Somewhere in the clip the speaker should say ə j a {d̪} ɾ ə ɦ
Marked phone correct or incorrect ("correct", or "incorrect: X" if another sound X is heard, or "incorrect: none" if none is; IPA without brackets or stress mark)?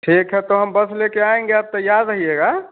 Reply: correct